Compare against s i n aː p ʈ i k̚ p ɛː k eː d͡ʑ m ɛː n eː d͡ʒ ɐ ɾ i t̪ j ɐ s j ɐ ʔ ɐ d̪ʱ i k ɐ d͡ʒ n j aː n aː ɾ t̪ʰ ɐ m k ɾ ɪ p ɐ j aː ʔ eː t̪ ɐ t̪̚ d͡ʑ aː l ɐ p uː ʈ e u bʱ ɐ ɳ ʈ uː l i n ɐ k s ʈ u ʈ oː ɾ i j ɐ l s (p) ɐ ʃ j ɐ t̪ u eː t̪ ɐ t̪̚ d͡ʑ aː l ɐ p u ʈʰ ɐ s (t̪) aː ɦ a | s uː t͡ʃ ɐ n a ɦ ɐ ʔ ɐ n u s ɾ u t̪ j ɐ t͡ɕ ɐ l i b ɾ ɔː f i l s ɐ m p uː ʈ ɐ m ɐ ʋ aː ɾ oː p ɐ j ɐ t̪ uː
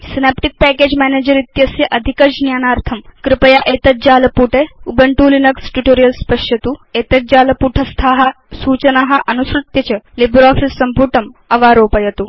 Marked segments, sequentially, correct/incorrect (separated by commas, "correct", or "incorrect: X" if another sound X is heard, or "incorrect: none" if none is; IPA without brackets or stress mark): correct, incorrect: t̪ʰ